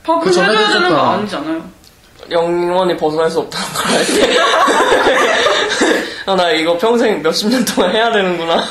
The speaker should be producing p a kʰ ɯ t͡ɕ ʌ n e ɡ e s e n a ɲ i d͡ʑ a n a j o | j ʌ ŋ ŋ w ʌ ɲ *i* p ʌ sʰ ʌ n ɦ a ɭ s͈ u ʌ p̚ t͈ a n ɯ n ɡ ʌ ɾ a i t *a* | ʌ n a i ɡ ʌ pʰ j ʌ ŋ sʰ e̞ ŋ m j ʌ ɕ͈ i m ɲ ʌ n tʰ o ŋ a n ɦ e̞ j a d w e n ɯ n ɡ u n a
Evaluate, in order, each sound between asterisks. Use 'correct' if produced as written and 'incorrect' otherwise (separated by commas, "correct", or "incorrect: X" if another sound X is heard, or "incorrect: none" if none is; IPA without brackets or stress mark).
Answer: correct, incorrect: e